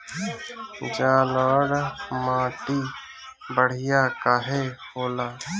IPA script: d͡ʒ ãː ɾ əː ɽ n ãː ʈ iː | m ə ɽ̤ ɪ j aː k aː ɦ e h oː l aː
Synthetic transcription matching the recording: d͡ʒ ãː l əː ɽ m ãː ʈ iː | b ə ɽ̤ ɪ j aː k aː ɦ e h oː l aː